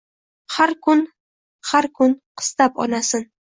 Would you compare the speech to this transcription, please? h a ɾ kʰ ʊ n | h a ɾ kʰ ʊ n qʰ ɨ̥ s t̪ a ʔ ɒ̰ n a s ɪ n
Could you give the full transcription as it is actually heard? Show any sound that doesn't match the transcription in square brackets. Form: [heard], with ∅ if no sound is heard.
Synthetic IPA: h a ɾ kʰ ʊ n | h a ɾ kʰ ʊ n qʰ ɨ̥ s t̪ a [p] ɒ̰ n a s ɪ n